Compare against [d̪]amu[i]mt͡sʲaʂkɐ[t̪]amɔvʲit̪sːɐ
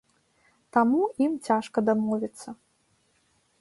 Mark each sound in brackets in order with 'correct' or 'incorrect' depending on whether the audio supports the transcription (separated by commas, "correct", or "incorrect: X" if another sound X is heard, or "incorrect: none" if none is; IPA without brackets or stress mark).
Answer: incorrect: t̪, correct, incorrect: d̪